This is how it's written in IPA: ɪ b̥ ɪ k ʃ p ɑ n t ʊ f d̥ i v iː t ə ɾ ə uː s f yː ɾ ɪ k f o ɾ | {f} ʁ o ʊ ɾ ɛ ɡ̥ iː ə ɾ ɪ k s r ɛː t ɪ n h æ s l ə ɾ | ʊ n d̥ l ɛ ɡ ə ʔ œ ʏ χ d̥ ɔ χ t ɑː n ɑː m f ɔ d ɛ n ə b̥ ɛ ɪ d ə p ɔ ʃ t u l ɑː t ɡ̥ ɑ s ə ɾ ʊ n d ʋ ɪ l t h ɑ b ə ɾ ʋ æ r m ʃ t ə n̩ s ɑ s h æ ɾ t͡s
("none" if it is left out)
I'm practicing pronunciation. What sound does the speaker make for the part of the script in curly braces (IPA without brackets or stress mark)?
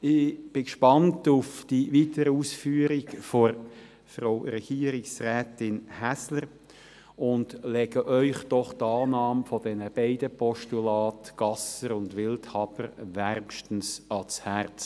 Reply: f